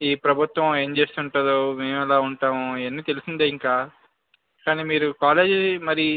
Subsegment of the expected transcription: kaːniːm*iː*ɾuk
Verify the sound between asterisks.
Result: correct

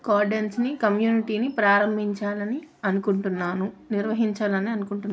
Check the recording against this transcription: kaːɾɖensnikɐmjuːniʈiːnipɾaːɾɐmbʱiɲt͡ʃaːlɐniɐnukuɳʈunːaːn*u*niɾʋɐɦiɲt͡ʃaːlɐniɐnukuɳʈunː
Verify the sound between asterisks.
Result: correct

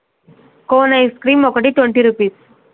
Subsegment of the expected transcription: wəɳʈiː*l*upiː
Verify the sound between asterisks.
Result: incorrect: ɾ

